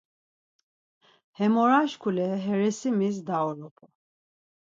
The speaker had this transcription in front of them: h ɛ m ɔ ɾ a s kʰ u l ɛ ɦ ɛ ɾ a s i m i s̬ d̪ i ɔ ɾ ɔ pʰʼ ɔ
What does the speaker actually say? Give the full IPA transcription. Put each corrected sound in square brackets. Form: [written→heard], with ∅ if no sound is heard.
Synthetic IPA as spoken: h ɛ m ɔ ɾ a [s→ʃ] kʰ u l ɛ ɦ ɛ ɾ [a→ɛ] s i m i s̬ d̪ [i→a] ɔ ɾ ɔ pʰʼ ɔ